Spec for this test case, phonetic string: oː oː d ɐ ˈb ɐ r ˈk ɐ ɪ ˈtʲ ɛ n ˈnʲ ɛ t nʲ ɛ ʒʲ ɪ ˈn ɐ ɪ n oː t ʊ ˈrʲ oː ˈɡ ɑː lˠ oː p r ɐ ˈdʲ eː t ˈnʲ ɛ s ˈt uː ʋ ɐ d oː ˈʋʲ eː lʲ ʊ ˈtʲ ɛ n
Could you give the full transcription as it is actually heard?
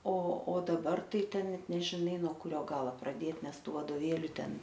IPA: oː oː d ɐ ˈb ɐ r ˈt ɐ ɪ ˈtʲ ɛ n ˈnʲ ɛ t nʲ ɛ ʒʲ ɪ ˈn ɐ ɪ n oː k ʊ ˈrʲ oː ˈɡ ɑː lˠ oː p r ɐ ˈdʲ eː t ˈnʲ ɛ s ˈt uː ʋ ɐ d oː ˈʋʲ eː lʲ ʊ ˈtʲ ɛ n